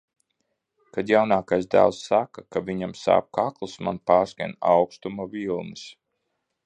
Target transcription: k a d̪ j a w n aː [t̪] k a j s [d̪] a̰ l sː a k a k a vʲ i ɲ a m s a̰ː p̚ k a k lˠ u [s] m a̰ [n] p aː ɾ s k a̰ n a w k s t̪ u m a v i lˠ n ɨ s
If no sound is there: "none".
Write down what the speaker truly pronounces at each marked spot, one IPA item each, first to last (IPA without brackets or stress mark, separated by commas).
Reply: none, d̪, s, n